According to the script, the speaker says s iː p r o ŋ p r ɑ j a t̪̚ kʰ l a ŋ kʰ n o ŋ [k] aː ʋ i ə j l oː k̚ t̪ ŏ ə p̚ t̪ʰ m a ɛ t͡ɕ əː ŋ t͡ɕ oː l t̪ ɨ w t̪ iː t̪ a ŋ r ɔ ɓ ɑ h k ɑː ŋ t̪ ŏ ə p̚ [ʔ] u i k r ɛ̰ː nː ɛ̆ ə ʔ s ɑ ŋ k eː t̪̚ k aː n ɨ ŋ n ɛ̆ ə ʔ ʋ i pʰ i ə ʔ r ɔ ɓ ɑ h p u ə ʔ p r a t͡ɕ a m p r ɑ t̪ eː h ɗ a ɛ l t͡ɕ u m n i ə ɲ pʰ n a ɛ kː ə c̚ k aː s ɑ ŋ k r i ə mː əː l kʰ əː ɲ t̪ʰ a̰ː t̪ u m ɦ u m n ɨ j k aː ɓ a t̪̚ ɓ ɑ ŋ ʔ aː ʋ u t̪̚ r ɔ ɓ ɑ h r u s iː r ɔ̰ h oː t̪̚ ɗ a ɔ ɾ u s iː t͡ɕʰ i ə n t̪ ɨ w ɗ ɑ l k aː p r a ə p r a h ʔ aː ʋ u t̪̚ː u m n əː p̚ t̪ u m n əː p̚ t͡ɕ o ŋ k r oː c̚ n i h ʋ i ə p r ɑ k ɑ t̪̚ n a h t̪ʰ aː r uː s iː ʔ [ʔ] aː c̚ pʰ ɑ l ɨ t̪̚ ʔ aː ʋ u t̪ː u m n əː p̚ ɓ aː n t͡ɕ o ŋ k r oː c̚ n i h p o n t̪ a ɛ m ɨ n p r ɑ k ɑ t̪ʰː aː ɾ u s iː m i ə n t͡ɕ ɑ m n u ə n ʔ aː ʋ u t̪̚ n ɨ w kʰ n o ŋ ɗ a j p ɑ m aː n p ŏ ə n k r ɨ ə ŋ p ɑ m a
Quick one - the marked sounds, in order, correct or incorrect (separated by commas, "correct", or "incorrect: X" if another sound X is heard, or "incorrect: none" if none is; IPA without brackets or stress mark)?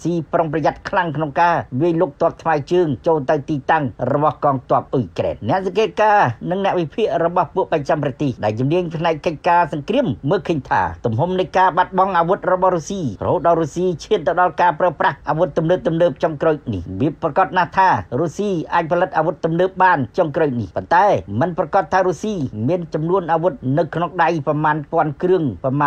correct, correct, correct